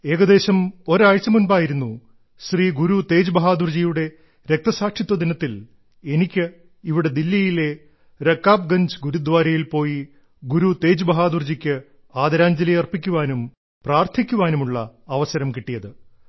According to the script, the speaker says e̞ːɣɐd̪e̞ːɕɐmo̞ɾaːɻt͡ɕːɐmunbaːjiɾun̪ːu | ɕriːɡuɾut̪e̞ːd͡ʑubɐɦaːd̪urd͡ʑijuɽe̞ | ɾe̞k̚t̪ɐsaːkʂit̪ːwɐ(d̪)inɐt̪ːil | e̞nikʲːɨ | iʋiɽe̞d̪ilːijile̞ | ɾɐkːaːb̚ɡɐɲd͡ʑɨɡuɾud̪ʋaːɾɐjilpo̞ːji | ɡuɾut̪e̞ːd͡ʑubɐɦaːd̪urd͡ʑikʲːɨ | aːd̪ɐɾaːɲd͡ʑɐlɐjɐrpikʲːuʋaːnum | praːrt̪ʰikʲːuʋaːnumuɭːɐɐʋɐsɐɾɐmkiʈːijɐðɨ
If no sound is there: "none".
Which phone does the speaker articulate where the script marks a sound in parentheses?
d̪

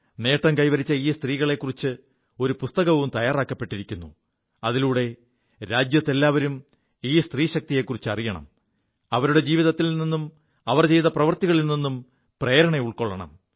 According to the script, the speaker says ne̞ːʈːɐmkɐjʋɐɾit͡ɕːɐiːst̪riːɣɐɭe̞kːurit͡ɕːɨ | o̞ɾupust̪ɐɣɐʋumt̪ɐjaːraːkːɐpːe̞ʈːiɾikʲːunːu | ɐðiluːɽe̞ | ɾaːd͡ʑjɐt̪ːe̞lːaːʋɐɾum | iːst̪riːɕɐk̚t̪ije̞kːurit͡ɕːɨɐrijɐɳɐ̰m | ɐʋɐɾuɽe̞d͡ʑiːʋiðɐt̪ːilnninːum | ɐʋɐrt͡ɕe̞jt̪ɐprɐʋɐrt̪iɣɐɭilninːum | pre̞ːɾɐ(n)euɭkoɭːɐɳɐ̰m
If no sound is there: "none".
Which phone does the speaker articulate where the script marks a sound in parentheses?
ɳ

